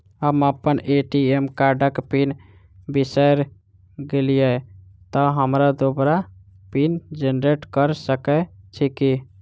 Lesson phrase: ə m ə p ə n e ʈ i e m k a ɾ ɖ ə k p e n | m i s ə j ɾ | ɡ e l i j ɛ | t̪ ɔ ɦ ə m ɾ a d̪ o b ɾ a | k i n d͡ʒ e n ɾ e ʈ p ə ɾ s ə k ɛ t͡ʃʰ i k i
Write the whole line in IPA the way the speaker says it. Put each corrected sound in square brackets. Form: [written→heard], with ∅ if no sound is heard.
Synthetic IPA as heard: ə m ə p ə n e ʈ i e m k a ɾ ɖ ə k p [e→i] n | [m→b] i s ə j ɾ | ɡ e l i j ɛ | t̪ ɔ ɦ ə m ɾ a d̪ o b ɾ a | [k→p] i n d͡ʒ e n ɾ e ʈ [p→k] ə ɾ s ə k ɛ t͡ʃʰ i k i